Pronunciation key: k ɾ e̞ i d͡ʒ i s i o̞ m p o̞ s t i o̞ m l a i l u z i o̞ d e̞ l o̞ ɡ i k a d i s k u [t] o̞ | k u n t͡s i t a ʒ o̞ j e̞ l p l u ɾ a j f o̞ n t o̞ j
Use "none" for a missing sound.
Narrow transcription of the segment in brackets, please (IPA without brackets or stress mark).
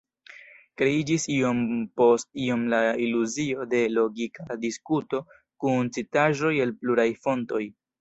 t